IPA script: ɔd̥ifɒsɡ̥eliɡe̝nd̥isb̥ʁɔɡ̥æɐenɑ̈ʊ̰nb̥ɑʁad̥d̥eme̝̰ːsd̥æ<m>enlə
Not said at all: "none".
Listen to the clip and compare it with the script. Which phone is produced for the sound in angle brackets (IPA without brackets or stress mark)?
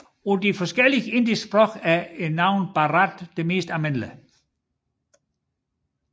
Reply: m